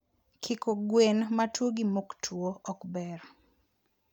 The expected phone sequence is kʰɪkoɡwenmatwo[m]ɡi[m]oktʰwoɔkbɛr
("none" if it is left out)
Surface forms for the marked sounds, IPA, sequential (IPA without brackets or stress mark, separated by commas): none, m